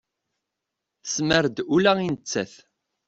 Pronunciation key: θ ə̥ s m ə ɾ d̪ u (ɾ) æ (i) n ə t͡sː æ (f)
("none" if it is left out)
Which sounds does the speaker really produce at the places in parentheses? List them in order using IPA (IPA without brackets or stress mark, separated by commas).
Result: l, i, θ